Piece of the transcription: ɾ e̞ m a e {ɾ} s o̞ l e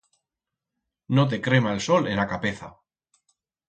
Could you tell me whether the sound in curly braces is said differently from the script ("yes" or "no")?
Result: yes